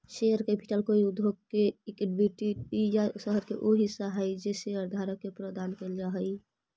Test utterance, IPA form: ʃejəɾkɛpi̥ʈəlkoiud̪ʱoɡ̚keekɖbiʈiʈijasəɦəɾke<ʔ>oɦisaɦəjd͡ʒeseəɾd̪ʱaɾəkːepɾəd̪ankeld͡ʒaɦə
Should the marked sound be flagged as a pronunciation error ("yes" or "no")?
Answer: no